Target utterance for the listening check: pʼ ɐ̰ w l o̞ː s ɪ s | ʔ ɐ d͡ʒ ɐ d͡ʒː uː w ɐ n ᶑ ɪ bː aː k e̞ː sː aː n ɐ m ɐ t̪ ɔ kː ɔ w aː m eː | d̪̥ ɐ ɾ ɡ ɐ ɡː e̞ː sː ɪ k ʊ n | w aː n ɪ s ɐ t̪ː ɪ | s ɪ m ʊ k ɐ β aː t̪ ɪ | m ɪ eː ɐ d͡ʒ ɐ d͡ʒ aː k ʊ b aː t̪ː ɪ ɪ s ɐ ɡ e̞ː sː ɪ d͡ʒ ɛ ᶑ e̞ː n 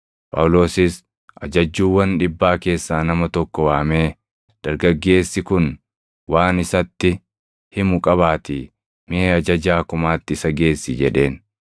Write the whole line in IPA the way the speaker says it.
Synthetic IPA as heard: pʼ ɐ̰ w l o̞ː s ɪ s | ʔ ɐ d͡ʒ ɐ d͡ʒː uː w ɐ n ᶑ ɪ bː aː k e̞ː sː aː n ɐ m ɐ t̪ ɔ kː ɔ w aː m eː | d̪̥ ɐ ɾ ɡ ɐ ɡː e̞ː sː ɪ k ʊ n | w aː n ɪ s ɐ t̪ː ɪ | h ɪ m ʊ kʼ ɐ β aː t̪ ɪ | m ɪ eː ɐ d͡ʒ ɐ d͡ʒ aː k ʊ m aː t̪ː ɪ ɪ s ɐ ɡ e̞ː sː ɪ d͡ʒ ɛ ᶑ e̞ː n